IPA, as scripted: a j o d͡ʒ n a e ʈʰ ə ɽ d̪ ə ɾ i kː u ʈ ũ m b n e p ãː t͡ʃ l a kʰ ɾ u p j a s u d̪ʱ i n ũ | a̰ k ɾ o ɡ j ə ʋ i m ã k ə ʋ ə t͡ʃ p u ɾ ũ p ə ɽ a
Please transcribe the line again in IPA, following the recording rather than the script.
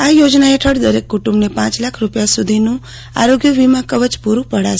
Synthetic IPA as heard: a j o d͡ʒ n a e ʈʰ ə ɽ d̪ ə ɾ e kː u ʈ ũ m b n e p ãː t͡ʃ l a kʰ ɾ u p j a s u d̪ʱ i n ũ | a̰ ɾ o ɡ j ə ʋ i m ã k ə ʋ ə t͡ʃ p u ɾ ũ p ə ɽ a

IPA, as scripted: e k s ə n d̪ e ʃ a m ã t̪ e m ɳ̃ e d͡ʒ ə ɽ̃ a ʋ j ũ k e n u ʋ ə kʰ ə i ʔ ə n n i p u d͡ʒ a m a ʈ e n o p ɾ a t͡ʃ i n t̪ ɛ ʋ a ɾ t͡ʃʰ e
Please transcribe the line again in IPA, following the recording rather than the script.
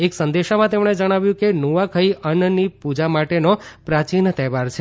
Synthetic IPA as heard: e k s ə n d̪ e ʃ a m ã t̪ e m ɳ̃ e d͡ʒ ə ɽ̃ a ʋ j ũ k e n u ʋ a kʰ ə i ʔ ə n n i p u d͡ʒ a m a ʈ e n o p ɾ a t͡ʃ i n t̪ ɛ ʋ a ɾ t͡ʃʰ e

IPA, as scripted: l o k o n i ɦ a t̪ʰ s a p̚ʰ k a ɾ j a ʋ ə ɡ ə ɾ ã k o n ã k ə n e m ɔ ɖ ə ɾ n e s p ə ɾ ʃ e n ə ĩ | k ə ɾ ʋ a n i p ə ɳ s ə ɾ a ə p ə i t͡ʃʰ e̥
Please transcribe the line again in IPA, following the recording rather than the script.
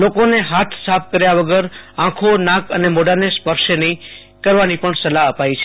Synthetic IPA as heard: l o k o n e ɦ a t̪ʰ s a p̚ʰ k ə ɾ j a ʋ ə ɡ ə ɾ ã kʰ o n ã k ə n e m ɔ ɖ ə ɾ n e s p ə ɾ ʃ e n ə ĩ | k ə ɾ ʋ a n i p ə ɳ s ə l a ə p a i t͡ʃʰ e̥

